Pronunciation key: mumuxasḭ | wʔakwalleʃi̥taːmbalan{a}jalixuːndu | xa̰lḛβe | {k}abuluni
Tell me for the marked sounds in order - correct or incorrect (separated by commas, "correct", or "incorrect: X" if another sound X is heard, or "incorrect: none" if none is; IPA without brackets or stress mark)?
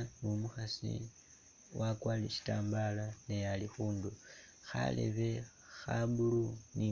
incorrect: e, incorrect: x